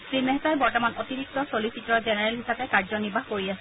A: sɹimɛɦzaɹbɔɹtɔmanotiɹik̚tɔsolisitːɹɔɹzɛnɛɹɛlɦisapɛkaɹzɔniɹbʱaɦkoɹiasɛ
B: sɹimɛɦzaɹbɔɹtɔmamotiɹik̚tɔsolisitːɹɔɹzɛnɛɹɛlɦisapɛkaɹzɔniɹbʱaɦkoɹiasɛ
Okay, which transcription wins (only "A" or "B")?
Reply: A